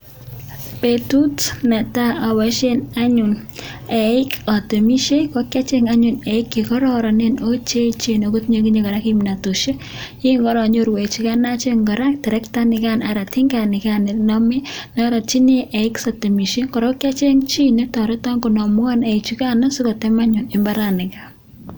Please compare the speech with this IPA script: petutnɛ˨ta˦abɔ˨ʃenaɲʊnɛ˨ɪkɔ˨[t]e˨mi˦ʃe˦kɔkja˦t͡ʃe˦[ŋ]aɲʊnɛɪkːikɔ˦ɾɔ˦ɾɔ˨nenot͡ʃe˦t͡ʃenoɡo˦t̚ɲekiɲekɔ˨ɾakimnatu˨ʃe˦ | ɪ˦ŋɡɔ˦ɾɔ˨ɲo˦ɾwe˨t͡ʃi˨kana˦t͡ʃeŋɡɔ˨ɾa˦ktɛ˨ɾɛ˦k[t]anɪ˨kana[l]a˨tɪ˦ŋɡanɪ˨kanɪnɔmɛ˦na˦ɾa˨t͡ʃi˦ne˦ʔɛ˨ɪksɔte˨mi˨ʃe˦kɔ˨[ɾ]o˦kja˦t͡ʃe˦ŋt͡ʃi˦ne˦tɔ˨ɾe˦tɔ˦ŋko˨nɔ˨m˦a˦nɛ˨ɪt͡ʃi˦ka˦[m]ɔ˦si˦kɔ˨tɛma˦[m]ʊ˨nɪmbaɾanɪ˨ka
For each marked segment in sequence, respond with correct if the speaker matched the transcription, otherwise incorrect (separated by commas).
correct, correct, correct, incorrect, correct, incorrect, incorrect